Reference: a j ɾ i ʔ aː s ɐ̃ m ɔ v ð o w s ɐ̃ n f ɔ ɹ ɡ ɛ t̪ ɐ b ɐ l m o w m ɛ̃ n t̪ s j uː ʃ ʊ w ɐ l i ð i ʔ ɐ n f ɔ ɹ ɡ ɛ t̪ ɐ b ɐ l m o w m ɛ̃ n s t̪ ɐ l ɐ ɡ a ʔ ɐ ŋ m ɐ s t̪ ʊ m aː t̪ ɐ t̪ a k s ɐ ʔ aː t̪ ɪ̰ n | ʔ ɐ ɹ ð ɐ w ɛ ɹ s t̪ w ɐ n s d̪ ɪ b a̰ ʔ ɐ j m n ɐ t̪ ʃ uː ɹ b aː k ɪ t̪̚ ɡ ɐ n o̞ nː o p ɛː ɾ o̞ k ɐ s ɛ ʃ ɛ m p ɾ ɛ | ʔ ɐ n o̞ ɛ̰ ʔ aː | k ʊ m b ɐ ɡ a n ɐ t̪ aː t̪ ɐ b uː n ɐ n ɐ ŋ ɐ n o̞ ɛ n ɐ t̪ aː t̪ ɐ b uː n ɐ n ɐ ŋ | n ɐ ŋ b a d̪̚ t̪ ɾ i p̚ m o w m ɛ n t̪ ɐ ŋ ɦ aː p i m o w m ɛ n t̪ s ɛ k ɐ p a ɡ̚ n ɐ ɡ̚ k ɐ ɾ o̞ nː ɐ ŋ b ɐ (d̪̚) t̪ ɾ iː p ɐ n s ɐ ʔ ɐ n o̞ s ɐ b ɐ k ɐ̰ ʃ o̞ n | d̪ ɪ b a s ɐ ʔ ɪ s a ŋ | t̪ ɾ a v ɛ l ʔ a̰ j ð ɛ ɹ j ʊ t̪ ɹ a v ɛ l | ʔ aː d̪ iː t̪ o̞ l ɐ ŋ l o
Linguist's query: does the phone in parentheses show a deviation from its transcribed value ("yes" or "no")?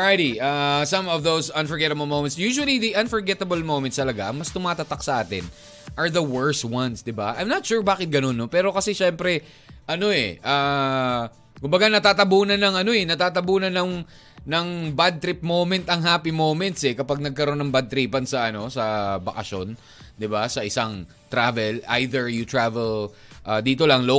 no